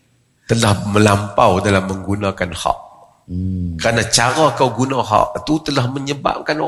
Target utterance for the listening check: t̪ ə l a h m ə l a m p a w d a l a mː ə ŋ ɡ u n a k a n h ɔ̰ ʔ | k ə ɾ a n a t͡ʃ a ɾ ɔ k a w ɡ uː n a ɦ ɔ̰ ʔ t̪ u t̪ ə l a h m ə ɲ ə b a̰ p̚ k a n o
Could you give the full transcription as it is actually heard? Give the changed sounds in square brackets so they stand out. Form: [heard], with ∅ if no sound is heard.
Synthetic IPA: t̪ ə l a h m ə l a m p a w d a l a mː ə ŋ ɡ u n a k a n h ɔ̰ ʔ | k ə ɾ a n a t͡ʃ a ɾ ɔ k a w ɡ [u] n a ɦ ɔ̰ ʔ t̪ u t̪ ə l a h m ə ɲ ə b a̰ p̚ k a n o